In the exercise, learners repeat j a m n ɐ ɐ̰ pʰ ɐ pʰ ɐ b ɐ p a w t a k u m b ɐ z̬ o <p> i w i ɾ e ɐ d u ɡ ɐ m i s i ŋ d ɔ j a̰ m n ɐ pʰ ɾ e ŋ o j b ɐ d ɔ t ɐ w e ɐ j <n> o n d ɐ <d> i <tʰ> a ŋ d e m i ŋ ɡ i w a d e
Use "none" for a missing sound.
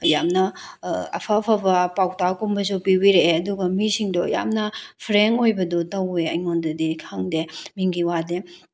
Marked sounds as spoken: p, ŋ, d, kʰ

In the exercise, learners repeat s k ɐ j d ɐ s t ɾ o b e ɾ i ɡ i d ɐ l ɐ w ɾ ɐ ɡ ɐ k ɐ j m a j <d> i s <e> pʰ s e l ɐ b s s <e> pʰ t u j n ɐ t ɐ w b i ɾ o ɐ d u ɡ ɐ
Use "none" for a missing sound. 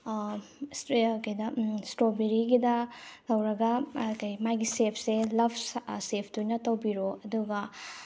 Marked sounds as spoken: ɡ, e, e

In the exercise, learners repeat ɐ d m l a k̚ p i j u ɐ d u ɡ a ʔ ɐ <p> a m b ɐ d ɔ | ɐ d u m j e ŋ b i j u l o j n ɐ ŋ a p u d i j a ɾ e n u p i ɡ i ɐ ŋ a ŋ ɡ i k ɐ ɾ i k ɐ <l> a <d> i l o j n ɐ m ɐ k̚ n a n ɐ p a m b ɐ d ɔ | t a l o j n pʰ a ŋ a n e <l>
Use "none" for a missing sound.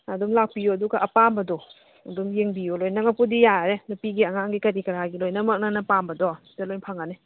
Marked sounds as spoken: p, ɾ, ɡ, none

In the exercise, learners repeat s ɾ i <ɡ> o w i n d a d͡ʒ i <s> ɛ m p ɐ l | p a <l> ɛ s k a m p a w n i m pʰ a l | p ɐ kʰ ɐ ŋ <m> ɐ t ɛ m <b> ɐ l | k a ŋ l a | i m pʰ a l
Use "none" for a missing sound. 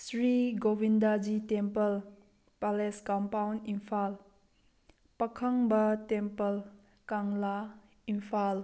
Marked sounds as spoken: ɡ, t, l, b, p

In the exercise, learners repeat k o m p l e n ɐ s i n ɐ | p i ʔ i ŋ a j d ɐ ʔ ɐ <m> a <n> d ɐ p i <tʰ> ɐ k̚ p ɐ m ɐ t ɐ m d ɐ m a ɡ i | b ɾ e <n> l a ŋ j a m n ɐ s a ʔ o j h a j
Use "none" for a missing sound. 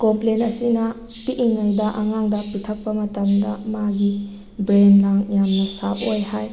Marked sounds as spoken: ŋ, ŋ, tʰ, n

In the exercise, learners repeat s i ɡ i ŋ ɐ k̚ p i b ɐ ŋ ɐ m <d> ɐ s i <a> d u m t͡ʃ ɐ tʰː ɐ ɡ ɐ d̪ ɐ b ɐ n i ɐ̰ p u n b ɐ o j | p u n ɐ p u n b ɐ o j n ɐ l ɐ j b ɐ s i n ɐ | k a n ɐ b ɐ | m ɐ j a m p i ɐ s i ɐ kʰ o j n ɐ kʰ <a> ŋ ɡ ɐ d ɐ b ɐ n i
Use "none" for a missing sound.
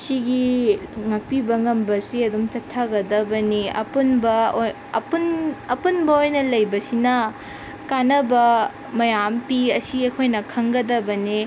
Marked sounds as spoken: b, ɐ, ɐ

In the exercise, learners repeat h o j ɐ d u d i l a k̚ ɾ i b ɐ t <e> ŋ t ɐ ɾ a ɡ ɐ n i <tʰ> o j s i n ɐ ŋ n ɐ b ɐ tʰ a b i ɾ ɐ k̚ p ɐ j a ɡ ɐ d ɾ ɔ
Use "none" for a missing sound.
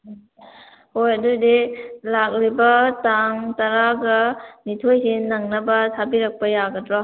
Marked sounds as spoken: a, tʰ

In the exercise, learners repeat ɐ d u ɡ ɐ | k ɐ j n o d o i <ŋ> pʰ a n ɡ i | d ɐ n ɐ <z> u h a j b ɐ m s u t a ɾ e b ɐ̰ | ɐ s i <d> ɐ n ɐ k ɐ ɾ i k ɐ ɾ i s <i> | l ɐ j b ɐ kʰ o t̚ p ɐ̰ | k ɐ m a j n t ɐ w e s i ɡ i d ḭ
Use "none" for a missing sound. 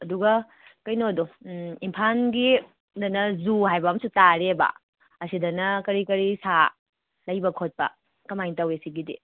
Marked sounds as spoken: m, z, d, a

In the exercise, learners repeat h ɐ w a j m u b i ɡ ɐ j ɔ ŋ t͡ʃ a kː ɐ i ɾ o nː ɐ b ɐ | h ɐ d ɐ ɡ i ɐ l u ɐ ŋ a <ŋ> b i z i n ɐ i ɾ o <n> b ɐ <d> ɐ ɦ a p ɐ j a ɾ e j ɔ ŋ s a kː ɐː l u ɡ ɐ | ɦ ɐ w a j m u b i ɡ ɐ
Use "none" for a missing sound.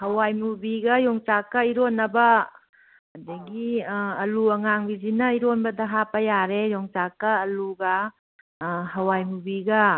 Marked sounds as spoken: ŋ, n, d

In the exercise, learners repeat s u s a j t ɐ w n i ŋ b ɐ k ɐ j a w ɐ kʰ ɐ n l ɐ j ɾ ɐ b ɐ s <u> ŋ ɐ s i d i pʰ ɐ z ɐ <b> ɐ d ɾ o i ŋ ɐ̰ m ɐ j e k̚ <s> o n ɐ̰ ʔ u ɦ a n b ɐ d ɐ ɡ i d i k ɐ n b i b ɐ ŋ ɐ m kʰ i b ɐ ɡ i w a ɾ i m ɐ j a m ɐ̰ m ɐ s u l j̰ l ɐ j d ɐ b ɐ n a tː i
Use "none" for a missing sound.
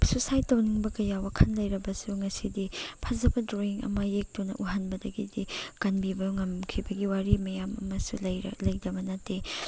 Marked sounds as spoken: u, b, t

